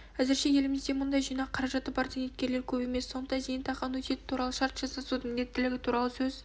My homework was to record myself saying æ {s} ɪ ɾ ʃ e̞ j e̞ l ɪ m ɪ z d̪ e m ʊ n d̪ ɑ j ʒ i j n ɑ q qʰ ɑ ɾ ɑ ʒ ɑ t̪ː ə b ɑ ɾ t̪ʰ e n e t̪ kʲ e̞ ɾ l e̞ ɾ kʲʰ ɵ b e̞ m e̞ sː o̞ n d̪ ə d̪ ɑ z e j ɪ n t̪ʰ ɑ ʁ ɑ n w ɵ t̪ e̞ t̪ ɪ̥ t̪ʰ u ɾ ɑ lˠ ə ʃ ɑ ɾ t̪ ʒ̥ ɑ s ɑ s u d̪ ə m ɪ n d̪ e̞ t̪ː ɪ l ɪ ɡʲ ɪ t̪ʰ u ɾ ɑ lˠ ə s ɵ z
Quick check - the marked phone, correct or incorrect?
incorrect